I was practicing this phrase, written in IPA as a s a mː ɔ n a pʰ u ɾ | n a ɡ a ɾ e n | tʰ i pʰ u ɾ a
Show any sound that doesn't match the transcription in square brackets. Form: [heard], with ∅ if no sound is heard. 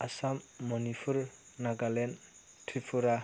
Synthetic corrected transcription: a s a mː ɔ n [i] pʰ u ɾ | n a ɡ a [l] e n | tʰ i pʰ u ɾ a